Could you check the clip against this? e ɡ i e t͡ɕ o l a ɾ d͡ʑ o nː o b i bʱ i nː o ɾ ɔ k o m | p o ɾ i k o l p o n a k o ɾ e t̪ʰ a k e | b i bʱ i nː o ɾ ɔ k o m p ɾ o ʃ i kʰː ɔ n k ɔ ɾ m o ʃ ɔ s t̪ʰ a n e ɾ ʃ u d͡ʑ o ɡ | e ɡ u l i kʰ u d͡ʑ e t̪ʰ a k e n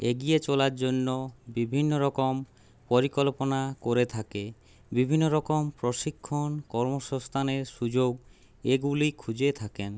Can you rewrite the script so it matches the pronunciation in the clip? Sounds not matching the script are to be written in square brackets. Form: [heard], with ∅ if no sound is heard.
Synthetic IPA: e ɡ i e t͡ɕ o l a ɾ d͡ʑ o nː o b i bʱ i nː o ɾ ɔ k o m | p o ɾ i k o l p o n a k o ɾ e t̪ʰ a k e | b i bʱ i nː o ɾ ɔ k o m p ɾ o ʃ i kʰː [o] n k ɔ ɾ m o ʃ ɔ s t̪ʰ a n e ɾ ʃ u d͡ʑ o ɡ | e ɡ u l i kʰ u d͡ʑ e t̪ʰ a k e n